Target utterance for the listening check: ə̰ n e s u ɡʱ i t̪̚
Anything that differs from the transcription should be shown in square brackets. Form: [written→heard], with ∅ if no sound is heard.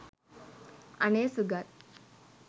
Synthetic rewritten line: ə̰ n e s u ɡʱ [i→a] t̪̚